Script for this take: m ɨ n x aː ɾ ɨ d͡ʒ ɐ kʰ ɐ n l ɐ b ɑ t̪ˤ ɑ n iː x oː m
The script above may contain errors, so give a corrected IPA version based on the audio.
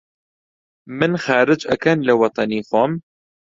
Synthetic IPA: m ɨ n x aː ɾ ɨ d͡ʒ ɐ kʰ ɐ n l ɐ w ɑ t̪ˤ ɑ n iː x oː m